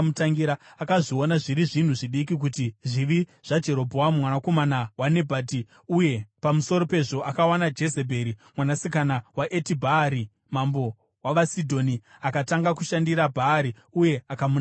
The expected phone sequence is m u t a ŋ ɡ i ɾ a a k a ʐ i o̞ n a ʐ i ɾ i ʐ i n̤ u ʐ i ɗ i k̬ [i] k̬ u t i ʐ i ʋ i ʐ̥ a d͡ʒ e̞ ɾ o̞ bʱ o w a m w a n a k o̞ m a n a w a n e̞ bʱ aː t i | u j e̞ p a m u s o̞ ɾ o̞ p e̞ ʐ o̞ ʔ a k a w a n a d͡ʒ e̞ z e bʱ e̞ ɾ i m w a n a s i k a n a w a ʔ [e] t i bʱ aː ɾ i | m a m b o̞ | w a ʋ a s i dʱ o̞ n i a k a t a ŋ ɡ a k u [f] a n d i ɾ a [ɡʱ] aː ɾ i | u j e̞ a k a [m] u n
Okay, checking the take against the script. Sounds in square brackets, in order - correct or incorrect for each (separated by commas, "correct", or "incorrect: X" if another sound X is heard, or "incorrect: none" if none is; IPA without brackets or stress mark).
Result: correct, correct, incorrect: ʃ, incorrect: bʱ, correct